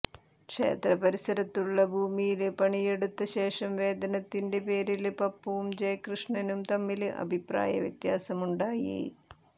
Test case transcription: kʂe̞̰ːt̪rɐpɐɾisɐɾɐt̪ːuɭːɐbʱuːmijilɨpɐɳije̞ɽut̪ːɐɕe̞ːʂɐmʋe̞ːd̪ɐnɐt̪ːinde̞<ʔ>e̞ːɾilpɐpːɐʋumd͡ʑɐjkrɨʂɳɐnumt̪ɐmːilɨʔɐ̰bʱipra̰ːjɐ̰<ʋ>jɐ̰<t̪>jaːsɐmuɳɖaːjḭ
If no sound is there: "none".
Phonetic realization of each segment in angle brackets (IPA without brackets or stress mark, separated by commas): p, ʋ, t̪